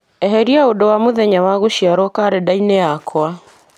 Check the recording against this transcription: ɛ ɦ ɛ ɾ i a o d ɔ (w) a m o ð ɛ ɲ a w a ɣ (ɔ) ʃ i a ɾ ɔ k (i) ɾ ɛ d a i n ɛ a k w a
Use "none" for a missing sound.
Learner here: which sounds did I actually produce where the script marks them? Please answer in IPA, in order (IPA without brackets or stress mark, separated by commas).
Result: w, o, a